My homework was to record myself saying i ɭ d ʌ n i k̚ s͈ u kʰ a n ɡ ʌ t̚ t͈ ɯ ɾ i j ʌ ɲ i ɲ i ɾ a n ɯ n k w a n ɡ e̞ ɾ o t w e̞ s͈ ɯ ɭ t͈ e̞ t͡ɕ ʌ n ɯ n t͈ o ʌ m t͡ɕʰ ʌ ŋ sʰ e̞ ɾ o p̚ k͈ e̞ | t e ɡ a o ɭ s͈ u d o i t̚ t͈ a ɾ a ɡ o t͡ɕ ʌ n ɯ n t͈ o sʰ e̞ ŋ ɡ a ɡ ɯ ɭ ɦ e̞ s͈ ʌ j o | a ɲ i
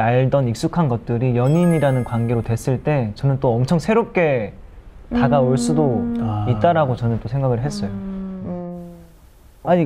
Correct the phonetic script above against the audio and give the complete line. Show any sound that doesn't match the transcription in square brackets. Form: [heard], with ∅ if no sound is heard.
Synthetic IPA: [a] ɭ d ʌ n i k̚ s͈ u kʰ a n ɡ ʌ t̚ t͈ ɯ ɾ i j ʌ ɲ i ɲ i ɾ a n ɯ n k w a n ɡ e̞ ɾ o t w e̞ s͈ ɯ ɭ t͈ e̞ t͡ɕ ʌ n ɯ n t͈ o ʌ m t͡ɕʰ ʌ ŋ sʰ e̞ ɾ o p̚ k͈ e̞ | t [a] ɡ a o ɭ s͈ u d o i t̚ t͈ a ɾ a ɡ o t͡ɕ ʌ n ɯ n t͈ o sʰ e̞ ŋ ɡ a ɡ ɯ ɭ ɦ e̞ s͈ ʌ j o | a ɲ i